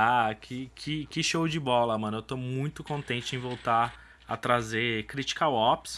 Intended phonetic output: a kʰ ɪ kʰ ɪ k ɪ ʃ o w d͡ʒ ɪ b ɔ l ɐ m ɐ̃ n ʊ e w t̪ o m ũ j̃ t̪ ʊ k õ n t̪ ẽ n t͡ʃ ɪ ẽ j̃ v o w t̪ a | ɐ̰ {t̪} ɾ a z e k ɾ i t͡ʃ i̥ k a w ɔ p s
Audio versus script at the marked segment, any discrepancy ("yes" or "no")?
no